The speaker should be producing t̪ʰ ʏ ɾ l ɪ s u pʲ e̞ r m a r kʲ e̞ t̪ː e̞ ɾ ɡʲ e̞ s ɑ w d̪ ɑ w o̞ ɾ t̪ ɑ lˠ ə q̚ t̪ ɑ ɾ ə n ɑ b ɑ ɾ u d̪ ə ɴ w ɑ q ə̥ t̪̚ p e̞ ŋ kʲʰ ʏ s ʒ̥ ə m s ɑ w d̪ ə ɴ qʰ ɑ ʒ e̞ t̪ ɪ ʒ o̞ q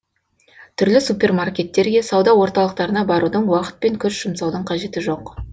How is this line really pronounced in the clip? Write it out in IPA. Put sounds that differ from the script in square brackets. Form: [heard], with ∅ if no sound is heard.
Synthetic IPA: t̪ʰ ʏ ɾ l ɪ s u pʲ e̞ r m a r kʲ e̞ t̪ː e̞ ɾ ɡʲ e̞ s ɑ w d̪ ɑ w o̞ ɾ t̪ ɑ lˠ ə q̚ t̪ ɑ ɾ ə n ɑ b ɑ ɾ u d̪ ə ɴ w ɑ q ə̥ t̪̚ p e̞ ŋ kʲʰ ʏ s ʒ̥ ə m s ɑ w d̪ ə ɴ qʰ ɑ ʒ e̞ t̪ ɪ ʒ o̞ q